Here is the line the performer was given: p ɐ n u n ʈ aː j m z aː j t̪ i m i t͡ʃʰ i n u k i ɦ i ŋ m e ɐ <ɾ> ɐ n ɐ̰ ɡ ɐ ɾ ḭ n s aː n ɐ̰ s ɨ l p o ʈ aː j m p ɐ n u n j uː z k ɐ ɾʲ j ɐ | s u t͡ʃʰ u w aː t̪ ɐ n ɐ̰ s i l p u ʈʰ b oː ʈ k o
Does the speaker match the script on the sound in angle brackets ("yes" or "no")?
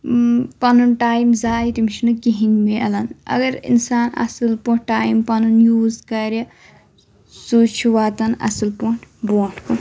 no